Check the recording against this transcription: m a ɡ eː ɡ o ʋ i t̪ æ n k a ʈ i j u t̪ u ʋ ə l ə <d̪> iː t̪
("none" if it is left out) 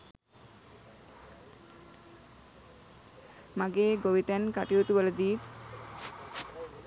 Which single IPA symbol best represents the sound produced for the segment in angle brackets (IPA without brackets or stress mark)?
d̪